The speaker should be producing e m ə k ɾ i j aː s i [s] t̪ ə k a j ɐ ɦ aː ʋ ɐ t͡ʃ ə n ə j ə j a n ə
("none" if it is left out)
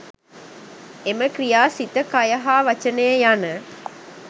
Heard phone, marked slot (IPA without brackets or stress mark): none